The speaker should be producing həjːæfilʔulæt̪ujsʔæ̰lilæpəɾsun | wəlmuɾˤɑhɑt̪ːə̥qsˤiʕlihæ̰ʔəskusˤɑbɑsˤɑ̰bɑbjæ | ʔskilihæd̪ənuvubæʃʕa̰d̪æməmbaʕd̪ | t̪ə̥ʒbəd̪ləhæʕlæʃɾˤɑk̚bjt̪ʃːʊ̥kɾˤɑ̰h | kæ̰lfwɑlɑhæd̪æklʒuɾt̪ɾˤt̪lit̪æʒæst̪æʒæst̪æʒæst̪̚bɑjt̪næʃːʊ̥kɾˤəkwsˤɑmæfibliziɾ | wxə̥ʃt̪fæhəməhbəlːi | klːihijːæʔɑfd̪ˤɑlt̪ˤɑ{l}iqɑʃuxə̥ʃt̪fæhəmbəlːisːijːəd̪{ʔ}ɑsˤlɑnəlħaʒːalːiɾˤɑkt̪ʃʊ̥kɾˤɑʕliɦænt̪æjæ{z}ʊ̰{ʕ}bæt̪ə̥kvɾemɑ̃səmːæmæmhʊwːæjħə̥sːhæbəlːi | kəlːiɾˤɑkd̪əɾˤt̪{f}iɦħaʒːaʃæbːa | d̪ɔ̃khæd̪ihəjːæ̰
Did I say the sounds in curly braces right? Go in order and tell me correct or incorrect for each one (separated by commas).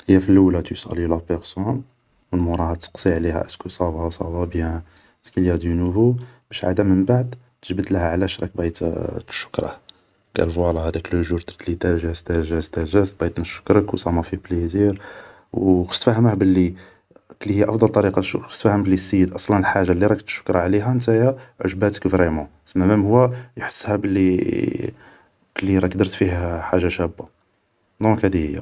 incorrect, correct, incorrect, incorrect, correct